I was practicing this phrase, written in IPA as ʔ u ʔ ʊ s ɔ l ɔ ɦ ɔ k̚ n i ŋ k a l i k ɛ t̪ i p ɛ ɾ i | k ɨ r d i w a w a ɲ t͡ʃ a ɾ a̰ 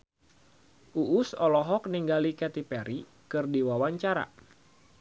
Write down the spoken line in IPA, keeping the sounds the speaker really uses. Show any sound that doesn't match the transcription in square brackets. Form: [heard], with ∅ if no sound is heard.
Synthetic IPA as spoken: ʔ u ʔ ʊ s ɔ l ɔ ɦ ɔ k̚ n i ŋ [ɡ] a l i k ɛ t̪ i p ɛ ɾ i | k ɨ r d i w a w a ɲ t͡ʃ a ɾ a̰